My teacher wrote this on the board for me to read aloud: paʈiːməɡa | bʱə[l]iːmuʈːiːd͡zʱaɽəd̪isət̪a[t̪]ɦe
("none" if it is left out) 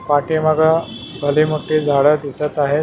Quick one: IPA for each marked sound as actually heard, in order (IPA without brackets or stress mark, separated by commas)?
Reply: l, none